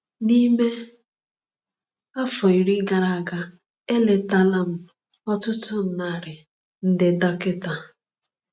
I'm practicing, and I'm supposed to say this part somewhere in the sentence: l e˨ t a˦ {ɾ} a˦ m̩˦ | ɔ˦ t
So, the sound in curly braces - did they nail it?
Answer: no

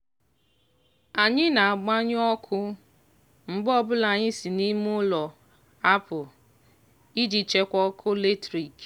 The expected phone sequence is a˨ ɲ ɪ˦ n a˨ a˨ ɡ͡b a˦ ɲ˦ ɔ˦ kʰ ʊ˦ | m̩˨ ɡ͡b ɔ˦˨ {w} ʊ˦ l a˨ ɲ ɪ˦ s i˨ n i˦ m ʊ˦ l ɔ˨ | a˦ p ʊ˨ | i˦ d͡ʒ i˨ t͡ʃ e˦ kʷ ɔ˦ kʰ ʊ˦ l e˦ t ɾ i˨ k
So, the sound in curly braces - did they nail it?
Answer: no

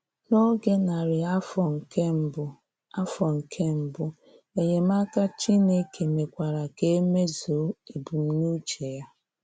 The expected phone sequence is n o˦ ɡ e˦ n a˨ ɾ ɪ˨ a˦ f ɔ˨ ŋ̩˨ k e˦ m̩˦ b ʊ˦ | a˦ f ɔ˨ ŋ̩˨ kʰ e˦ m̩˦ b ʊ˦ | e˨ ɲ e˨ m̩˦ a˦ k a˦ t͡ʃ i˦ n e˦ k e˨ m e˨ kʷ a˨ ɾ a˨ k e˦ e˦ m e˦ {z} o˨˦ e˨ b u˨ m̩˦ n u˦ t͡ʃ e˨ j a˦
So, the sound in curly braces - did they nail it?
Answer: yes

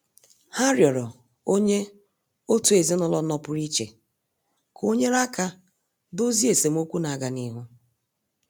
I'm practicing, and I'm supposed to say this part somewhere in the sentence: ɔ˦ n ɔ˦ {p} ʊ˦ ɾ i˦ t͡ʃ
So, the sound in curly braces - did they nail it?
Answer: yes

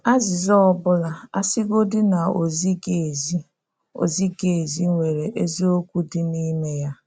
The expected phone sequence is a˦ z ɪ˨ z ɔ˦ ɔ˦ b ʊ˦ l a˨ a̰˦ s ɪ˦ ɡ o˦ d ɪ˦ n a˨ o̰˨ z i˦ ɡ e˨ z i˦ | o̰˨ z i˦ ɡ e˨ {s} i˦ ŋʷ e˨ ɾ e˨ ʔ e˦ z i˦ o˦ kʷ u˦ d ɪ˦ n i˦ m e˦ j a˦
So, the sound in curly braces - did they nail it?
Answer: no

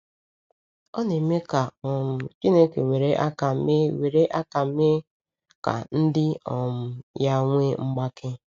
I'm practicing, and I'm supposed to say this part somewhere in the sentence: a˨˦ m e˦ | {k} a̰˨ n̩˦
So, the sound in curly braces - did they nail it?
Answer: yes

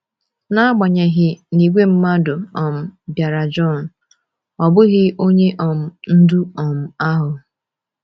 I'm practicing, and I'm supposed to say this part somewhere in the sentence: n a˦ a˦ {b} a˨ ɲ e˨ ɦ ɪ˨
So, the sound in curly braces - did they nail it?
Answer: no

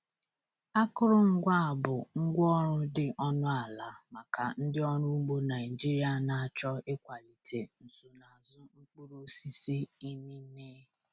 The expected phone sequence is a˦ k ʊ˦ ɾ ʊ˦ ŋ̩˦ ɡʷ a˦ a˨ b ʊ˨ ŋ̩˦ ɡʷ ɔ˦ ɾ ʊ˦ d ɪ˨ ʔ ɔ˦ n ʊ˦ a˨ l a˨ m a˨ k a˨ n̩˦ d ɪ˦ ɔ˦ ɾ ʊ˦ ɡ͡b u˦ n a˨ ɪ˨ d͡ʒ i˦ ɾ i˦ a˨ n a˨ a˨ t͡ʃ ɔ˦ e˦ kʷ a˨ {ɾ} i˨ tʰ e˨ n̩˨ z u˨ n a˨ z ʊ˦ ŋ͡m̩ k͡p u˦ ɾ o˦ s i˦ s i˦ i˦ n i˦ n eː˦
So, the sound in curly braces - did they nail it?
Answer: no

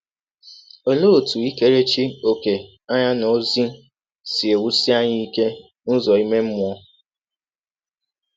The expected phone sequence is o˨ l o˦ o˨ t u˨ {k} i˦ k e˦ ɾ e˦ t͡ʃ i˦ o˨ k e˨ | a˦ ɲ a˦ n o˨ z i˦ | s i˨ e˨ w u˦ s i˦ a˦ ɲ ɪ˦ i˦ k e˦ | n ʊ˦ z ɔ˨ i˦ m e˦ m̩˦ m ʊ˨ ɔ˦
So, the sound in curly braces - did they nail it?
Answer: no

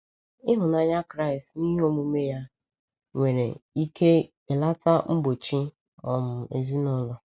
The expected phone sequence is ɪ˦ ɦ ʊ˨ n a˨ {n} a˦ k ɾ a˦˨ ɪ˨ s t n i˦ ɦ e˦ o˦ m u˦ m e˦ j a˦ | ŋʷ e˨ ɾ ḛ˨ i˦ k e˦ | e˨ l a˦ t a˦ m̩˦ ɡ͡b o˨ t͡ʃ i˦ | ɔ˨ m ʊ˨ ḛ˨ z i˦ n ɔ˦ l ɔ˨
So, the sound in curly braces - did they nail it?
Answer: no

